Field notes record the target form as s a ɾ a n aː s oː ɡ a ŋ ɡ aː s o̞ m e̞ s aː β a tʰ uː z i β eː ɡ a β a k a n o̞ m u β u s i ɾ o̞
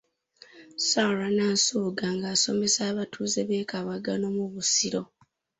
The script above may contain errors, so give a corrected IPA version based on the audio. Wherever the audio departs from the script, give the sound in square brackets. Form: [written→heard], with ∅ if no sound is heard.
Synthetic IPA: s a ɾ a n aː s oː ɡ a ŋ ɡ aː s o̞ m e̞ s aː β a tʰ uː z [i→e] β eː [ɡ→k] a β a [k→ɡ] a n o̞ m u β u s i ɾ o̞